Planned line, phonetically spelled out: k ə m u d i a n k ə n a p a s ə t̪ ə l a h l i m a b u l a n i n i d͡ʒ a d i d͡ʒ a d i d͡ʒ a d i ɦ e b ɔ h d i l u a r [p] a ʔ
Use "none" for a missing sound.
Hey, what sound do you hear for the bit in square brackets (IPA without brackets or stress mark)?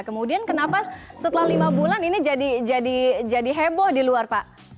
p